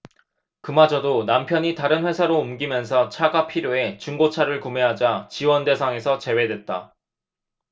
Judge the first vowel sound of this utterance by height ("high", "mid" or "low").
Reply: high